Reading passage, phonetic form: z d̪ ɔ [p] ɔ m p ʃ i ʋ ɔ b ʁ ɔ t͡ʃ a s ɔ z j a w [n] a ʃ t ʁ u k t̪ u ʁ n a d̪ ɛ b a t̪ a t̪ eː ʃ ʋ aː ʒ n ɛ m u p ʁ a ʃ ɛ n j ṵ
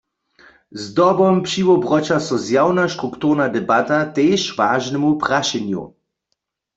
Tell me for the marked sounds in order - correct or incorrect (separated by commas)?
incorrect, correct